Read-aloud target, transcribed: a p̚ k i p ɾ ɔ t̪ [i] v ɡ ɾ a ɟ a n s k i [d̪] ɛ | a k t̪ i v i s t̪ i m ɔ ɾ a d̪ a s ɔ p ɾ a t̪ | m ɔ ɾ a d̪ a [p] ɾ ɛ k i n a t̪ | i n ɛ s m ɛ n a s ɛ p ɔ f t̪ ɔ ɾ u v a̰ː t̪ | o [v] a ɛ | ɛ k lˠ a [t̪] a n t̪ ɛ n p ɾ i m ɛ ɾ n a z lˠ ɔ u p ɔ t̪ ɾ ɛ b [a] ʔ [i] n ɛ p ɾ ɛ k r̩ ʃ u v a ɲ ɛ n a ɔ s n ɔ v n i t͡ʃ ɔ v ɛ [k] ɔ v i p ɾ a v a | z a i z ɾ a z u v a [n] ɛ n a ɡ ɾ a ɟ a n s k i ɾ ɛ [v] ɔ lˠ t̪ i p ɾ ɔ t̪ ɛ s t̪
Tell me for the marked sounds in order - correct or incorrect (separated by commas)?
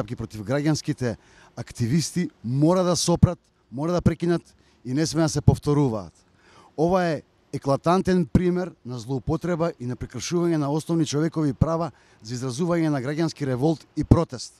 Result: correct, incorrect, correct, correct, correct, correct, correct, correct, incorrect, correct